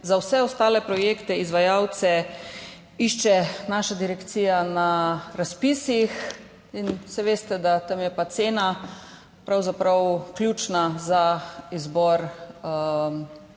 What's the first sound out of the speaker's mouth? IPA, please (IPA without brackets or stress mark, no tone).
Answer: z